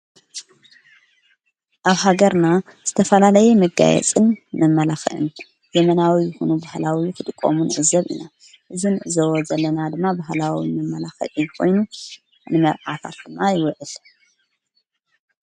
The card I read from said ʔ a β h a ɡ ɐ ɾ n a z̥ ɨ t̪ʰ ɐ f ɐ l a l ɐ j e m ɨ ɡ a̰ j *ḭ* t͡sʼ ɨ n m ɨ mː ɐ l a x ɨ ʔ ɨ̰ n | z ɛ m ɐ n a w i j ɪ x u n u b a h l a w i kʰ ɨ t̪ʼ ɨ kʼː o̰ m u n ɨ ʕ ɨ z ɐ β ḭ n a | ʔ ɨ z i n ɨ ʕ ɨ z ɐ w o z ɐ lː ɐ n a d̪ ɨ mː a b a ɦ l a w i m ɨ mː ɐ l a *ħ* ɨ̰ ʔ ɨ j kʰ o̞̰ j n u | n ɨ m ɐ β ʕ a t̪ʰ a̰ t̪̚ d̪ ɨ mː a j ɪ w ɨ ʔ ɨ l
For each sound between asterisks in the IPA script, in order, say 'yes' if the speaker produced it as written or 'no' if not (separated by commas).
no, no